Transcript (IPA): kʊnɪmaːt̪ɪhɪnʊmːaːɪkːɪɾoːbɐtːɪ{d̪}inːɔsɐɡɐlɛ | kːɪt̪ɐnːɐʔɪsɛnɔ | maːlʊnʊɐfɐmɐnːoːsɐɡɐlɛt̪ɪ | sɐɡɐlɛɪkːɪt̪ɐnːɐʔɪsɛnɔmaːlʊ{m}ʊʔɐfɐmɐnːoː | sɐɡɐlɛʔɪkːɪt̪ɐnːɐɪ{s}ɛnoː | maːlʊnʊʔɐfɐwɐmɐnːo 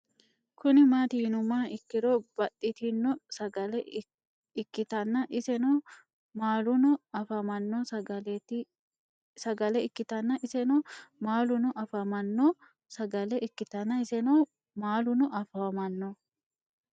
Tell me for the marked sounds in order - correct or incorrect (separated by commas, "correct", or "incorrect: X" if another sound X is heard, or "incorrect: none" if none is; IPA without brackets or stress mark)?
incorrect: t̪, incorrect: n, correct